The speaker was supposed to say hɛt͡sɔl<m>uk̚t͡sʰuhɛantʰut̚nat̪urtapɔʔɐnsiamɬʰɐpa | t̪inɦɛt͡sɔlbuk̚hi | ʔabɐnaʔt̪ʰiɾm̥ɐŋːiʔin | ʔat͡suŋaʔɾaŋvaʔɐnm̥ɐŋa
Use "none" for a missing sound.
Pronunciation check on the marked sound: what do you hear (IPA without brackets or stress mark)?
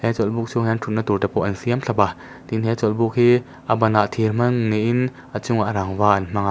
b